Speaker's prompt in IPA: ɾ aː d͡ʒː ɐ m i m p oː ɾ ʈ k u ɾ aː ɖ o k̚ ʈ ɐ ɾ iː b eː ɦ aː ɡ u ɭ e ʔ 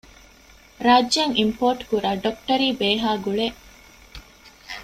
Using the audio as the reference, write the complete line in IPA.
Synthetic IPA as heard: ɾ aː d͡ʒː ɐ ŋ i m p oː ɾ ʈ k u ɾ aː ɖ o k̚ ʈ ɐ ɾ iː b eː ɦ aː ɡ u ɭ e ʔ